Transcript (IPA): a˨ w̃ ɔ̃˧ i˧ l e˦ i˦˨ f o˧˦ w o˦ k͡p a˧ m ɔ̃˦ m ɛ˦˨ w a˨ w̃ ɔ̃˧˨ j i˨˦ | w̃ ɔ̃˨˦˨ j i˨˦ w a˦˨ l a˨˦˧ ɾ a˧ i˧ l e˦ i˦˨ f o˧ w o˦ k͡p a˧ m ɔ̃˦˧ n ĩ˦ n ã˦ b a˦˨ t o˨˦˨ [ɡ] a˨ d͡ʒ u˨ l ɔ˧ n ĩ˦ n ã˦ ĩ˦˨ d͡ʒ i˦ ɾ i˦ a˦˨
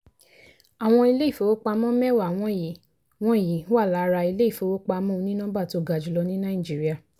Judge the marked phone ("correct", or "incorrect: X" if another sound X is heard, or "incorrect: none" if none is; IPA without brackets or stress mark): correct